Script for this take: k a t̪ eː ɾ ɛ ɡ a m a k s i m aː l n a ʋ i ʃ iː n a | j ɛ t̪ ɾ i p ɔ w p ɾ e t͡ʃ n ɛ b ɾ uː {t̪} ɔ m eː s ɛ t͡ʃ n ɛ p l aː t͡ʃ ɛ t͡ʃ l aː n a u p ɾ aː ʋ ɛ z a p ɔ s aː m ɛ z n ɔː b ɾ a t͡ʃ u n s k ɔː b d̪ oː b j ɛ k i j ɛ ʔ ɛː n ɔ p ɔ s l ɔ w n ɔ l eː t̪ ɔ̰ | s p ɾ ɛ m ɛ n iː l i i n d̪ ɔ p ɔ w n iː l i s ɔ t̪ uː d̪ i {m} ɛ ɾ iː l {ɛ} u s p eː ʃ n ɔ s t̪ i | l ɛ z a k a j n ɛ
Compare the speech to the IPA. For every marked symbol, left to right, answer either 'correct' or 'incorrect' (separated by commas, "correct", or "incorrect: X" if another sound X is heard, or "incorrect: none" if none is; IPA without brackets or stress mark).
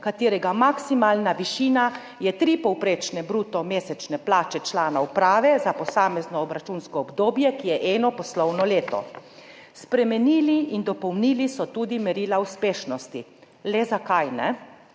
correct, correct, incorrect: a